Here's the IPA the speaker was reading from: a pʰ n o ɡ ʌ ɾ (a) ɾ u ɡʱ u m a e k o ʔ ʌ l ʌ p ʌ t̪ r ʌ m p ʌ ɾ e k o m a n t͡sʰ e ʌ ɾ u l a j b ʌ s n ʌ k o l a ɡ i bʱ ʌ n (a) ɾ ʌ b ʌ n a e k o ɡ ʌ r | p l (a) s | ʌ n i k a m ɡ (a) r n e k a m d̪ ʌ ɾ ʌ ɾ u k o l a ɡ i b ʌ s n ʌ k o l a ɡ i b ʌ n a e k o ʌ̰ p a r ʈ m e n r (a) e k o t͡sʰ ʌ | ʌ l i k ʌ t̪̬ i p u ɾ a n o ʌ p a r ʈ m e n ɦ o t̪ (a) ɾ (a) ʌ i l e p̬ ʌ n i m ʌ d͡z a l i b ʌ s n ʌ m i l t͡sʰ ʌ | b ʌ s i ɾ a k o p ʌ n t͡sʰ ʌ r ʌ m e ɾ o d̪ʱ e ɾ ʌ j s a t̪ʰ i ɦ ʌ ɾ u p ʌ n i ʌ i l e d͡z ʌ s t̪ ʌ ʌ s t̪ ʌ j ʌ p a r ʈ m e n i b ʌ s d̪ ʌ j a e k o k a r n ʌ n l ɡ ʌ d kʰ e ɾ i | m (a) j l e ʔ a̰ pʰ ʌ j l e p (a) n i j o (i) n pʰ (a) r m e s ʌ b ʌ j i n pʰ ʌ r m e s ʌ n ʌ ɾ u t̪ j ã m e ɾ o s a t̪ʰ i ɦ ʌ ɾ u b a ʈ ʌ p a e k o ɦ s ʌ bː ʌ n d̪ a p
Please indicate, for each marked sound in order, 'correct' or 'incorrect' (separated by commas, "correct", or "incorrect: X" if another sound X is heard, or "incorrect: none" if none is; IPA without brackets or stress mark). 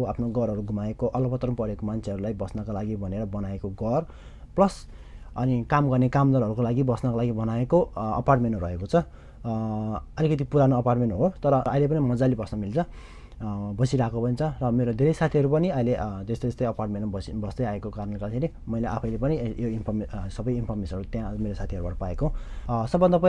incorrect: ʌ, incorrect: e, incorrect: ʌ, incorrect: ʌ, incorrect: ʌ, incorrect: ʌ, incorrect: ʌ, incorrect: ʌ, incorrect: ʌ, correct, incorrect: ʌ